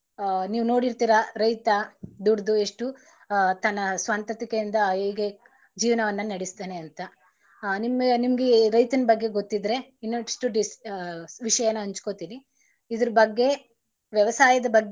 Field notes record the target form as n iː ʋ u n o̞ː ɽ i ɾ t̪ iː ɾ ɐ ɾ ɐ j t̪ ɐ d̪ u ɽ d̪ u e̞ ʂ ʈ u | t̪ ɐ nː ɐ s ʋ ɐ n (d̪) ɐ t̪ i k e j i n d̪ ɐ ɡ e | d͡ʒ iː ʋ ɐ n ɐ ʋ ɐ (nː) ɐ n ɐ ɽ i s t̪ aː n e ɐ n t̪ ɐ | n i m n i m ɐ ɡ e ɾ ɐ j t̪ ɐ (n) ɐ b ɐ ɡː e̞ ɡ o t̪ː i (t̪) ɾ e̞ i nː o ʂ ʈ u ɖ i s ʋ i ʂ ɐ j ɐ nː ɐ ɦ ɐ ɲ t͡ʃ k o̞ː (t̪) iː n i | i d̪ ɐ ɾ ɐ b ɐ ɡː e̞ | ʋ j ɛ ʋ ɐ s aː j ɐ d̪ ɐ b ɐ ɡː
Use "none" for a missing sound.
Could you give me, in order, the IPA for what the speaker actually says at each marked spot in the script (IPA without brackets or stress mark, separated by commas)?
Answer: t̪, nː, n, d̪, t̪